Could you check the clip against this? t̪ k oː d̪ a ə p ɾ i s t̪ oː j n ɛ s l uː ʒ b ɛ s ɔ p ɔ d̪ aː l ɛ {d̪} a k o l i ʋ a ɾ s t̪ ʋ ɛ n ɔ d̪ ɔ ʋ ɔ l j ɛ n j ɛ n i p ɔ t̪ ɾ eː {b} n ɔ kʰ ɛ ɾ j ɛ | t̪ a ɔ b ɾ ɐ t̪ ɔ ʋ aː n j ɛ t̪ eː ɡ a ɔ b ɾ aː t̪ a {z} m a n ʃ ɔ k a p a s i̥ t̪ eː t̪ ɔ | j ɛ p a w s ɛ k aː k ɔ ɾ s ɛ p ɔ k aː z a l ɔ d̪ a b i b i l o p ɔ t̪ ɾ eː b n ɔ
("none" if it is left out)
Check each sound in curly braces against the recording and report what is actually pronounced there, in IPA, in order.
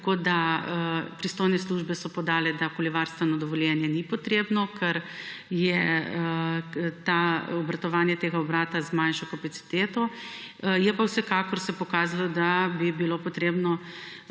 d̪, b, z

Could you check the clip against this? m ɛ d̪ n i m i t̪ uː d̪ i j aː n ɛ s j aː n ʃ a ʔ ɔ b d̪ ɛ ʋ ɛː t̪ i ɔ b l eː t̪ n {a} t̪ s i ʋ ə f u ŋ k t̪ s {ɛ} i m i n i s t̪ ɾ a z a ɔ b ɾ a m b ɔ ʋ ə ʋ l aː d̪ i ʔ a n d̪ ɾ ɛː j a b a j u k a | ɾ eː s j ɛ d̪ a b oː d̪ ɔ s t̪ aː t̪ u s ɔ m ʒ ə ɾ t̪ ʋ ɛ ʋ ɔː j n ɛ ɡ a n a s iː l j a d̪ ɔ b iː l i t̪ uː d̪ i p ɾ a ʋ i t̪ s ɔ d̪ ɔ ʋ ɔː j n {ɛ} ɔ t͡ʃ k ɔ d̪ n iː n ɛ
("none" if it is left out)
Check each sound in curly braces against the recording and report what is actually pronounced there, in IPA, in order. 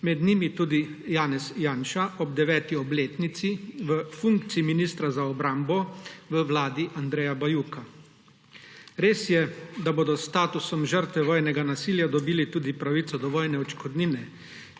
i, i, ɛ

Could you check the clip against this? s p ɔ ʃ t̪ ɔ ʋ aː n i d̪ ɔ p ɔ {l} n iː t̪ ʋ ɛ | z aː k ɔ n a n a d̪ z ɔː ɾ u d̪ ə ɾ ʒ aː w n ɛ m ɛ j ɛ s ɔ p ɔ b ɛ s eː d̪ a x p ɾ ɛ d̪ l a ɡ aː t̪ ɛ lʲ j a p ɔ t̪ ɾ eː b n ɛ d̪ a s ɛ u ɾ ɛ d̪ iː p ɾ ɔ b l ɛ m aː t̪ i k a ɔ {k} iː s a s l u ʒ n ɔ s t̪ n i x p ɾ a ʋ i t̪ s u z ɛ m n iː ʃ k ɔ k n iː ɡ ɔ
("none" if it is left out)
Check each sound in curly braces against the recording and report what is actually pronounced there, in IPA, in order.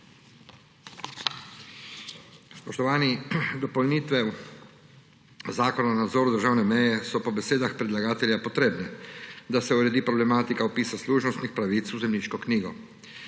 l, p

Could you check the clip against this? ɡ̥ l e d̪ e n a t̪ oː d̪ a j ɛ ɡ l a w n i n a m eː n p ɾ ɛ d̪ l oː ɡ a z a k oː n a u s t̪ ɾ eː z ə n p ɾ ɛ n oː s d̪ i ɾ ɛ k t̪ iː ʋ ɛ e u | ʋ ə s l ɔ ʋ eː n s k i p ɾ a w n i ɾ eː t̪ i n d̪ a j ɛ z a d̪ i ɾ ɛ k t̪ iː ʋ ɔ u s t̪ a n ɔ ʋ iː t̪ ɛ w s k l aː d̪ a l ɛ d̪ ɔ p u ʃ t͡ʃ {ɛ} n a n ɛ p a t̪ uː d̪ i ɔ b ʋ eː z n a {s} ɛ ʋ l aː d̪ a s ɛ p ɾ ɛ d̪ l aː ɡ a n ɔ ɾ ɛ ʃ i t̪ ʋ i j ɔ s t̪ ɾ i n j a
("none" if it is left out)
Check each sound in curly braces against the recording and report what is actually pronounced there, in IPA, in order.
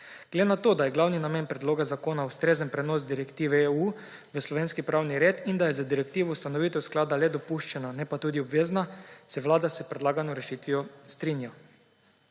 ɛ, s

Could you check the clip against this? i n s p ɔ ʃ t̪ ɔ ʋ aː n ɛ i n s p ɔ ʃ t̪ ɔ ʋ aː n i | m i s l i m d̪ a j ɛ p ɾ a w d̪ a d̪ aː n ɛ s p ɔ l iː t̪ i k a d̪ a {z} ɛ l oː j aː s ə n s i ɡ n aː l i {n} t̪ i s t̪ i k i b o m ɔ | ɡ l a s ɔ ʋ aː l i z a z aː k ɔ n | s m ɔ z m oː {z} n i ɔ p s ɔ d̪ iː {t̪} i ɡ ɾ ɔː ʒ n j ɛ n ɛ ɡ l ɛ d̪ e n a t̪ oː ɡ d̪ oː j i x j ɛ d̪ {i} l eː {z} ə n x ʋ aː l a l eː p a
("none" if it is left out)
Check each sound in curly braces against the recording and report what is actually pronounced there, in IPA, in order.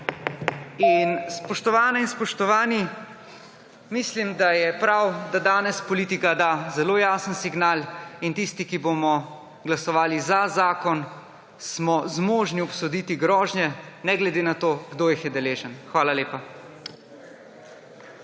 z, n, ʒ, t̪, ɛ, ʒ

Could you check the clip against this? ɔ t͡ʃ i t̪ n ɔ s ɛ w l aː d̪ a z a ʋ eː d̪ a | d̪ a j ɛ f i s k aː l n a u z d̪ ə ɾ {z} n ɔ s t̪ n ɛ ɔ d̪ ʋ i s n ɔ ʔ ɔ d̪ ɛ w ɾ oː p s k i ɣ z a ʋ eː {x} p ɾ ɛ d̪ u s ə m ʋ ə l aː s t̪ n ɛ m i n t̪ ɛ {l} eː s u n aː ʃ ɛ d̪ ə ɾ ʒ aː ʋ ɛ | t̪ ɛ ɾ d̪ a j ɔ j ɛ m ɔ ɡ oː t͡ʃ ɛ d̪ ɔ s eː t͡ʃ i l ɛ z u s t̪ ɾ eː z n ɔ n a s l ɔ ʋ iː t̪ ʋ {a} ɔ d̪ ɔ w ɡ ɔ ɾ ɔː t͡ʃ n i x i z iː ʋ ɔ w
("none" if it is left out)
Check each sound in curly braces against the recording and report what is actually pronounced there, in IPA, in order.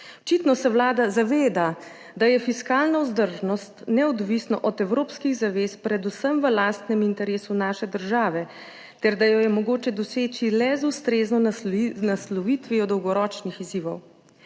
ʒ, s, ɾ, i

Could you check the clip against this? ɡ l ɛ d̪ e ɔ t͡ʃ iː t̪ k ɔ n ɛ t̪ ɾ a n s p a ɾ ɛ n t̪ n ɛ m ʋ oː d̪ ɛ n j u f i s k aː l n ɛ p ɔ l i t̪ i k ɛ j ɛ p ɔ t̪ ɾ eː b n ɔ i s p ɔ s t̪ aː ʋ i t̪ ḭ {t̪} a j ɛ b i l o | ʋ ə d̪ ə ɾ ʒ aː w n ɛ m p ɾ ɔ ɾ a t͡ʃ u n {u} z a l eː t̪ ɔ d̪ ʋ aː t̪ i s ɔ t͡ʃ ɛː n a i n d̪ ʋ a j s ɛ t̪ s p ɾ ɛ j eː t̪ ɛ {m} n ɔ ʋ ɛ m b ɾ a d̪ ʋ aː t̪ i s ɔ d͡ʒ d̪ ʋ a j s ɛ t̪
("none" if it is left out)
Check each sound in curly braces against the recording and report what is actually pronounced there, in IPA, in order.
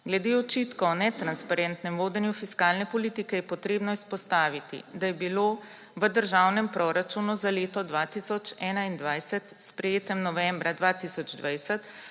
d̪, u, m

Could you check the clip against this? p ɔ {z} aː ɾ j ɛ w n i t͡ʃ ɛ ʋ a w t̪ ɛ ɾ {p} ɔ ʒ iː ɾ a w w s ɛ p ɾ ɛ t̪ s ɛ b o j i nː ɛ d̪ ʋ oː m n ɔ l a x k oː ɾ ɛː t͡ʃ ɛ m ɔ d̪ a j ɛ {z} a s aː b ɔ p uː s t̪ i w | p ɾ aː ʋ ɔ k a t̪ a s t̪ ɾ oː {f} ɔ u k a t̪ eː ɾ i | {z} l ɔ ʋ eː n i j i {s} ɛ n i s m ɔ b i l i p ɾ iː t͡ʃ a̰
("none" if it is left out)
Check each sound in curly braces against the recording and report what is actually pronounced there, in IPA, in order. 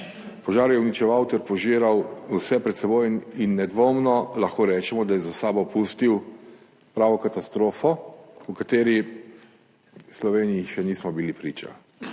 ʒ, p, z, f, s, ʃ

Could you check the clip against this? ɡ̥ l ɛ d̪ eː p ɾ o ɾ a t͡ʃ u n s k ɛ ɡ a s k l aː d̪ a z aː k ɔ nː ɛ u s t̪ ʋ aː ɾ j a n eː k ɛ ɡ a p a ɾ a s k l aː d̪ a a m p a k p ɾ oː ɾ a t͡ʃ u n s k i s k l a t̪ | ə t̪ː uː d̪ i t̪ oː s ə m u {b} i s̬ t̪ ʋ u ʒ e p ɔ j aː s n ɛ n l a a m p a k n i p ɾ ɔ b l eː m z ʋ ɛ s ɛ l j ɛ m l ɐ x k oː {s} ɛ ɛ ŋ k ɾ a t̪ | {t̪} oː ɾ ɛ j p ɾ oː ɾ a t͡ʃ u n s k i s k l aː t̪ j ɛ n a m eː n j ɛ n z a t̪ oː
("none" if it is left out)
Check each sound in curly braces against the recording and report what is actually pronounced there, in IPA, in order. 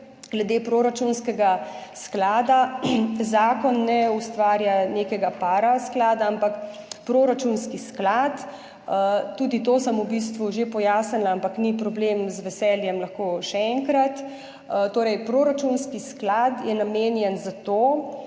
b, ʃ, t̪

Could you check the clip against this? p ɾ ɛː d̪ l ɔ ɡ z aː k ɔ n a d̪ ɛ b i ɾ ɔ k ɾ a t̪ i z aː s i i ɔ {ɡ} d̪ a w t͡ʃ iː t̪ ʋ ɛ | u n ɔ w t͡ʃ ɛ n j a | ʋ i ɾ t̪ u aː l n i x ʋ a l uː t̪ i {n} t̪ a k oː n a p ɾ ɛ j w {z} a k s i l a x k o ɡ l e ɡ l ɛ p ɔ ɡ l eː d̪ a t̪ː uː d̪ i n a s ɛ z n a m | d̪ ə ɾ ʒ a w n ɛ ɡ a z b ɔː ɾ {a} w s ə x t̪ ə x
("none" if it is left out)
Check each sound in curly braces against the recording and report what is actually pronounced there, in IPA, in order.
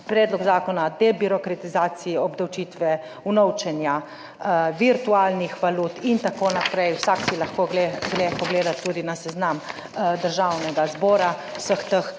b, n, s, a

